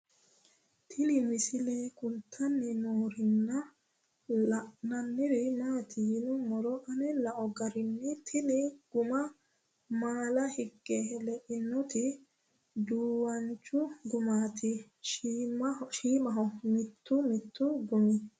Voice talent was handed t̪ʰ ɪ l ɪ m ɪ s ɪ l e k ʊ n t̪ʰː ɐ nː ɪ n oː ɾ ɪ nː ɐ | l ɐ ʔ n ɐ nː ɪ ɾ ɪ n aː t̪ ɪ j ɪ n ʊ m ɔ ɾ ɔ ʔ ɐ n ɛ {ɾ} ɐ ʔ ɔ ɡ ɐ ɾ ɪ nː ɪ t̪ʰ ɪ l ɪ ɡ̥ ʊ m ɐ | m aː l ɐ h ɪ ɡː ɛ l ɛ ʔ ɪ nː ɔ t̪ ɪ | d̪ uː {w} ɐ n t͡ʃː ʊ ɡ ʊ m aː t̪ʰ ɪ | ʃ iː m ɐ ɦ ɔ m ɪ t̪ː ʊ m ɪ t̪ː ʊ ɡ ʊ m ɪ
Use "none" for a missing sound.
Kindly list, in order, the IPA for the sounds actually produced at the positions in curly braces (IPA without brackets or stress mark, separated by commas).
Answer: l, w